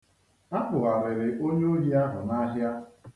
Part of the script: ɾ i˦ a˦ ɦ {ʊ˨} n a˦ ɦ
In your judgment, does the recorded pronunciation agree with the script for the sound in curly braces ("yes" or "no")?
yes